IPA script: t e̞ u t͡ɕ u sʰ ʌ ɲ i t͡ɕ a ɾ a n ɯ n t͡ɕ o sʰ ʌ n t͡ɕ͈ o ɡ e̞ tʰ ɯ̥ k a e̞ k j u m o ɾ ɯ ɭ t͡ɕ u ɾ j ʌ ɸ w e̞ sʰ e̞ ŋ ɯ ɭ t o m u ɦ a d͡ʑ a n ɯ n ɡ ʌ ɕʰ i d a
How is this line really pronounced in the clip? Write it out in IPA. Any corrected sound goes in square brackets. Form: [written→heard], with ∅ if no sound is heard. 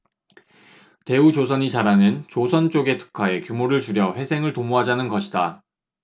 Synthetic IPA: t e̞ u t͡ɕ [u→o] sʰ ʌ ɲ i t͡ɕ a ɾ a n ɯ n t͡ɕ o sʰ ʌ n t͡ɕ͈ o ɡ e̞ tʰ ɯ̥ [k→kʰ] a e̞ k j u m o ɾ ɯ ɭ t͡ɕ u ɾ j ʌ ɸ w e̞ sʰ e̞ ŋ ɯ ɭ t o m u ɦ a d͡ʑ a n ɯ n ɡ ʌ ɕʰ i d a